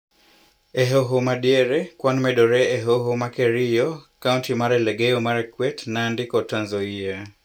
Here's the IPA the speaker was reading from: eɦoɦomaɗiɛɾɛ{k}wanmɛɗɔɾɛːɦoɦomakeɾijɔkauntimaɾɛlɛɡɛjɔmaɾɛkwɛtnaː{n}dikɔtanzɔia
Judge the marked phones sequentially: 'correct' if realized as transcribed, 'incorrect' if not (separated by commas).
correct, correct